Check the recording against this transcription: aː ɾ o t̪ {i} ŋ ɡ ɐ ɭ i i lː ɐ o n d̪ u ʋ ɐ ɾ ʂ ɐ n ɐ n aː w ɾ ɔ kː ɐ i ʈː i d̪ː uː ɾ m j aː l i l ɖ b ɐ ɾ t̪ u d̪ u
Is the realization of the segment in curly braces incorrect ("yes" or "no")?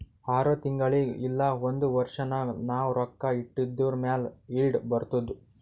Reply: no